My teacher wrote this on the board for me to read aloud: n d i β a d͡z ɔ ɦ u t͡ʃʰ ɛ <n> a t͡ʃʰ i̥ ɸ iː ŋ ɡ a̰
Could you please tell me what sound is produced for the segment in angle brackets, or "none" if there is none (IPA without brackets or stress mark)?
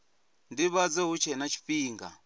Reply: n